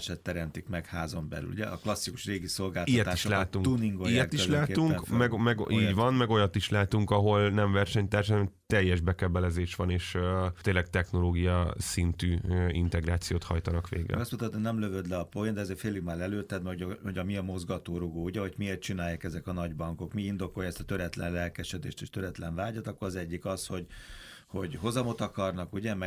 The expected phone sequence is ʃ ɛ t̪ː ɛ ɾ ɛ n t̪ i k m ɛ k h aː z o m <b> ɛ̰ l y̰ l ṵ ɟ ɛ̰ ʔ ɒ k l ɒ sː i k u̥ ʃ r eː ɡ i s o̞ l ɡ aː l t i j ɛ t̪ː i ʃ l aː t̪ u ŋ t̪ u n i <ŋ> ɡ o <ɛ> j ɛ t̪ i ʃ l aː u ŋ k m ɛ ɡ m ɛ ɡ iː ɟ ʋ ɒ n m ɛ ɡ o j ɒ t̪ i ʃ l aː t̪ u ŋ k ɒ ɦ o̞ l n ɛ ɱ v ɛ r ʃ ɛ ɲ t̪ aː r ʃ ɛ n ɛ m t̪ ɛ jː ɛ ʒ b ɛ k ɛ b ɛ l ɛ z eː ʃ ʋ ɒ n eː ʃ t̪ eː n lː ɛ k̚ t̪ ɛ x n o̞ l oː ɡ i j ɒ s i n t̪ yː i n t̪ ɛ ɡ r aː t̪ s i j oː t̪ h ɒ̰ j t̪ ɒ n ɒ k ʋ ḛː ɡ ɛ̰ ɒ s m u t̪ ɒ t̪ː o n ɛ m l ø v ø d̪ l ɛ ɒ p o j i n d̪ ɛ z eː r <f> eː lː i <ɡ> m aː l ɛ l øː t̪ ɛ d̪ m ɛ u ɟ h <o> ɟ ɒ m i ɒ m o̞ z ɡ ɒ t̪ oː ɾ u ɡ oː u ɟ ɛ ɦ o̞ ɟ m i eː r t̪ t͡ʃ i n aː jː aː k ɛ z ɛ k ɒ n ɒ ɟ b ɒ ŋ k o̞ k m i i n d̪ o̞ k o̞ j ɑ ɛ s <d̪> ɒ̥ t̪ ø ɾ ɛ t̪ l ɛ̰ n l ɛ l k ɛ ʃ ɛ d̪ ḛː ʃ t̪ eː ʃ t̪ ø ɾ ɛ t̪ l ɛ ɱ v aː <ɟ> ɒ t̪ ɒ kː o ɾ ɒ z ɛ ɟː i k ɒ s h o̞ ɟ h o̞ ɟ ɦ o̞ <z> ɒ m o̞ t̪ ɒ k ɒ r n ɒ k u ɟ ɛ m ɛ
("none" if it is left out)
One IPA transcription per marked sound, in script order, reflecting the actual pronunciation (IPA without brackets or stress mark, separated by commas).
b, ŋ, i, f, ɡ, o, t̪, ɟ, z